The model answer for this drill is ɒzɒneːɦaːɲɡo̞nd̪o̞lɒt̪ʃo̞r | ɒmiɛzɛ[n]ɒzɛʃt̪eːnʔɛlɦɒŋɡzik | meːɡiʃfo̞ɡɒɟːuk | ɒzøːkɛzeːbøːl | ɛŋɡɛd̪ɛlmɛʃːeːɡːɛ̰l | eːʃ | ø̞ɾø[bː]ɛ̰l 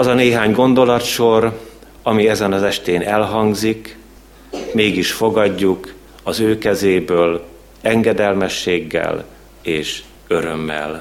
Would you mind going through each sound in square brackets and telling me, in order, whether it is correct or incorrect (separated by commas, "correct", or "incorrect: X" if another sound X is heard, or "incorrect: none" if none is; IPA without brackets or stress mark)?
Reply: correct, incorrect: mː